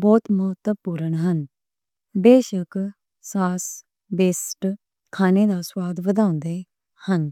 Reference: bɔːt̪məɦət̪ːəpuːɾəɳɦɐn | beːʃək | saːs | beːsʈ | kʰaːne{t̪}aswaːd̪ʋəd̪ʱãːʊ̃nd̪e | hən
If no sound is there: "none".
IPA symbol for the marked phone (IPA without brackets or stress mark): d̪